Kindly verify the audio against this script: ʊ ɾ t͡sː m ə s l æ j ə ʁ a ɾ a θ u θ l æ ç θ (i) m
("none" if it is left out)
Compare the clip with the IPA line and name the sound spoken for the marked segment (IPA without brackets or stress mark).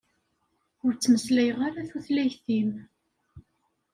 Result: i